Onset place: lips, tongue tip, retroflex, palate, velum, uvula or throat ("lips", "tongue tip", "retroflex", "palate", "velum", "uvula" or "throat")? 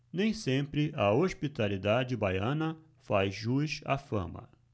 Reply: tongue tip